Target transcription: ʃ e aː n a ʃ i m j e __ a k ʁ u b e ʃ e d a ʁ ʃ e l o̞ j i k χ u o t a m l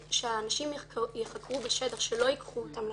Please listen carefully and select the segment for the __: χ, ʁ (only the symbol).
χ